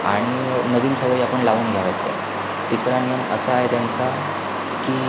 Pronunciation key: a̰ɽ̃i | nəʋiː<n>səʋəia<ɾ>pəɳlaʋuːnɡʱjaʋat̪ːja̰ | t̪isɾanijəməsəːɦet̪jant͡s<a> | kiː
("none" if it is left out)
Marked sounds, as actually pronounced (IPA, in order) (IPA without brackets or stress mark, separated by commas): n, none, a